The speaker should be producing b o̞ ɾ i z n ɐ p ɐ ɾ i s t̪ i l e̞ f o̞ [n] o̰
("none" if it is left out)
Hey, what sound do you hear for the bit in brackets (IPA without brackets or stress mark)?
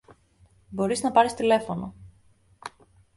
n